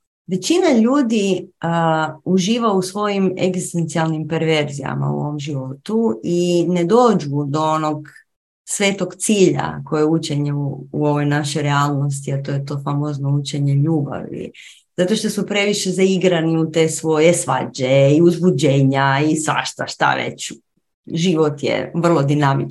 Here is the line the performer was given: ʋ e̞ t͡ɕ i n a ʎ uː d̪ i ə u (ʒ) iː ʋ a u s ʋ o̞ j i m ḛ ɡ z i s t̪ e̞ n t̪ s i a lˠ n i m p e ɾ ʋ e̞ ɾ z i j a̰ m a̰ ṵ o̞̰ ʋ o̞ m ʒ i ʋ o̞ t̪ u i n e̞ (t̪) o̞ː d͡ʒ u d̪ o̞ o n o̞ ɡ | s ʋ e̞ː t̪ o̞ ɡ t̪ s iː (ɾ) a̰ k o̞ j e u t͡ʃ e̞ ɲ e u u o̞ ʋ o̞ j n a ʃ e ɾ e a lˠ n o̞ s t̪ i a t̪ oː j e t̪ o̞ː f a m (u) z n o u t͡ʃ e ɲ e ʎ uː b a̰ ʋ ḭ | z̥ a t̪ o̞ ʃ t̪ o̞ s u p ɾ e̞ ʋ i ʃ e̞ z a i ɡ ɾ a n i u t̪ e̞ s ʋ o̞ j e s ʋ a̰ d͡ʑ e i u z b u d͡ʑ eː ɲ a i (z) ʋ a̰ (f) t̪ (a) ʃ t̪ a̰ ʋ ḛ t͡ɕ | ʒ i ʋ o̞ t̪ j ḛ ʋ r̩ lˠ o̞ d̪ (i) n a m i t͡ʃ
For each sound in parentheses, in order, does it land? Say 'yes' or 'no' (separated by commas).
yes, no, no, no, no, no, yes, yes